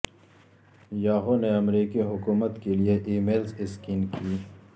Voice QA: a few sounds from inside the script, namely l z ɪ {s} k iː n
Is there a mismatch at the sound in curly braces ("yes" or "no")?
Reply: no